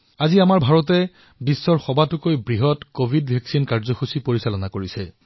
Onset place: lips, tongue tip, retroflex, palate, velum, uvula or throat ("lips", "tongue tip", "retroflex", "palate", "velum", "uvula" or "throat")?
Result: tongue tip